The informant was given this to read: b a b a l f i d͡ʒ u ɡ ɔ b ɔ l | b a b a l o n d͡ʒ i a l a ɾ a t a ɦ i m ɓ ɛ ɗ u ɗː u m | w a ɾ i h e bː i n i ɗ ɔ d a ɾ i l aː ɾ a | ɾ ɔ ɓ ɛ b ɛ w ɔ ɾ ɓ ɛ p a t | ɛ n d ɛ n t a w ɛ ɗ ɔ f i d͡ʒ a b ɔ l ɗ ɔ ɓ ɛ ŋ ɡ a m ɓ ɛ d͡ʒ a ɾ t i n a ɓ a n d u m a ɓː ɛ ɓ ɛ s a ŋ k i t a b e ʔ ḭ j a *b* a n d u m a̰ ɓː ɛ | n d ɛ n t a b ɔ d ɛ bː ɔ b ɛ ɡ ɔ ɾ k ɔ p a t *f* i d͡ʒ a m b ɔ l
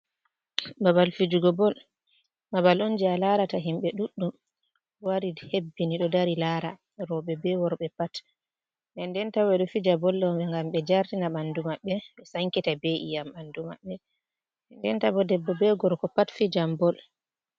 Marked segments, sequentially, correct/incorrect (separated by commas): incorrect, correct